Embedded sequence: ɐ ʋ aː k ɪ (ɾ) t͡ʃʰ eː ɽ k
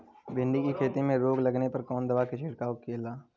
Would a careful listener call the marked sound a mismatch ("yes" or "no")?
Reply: yes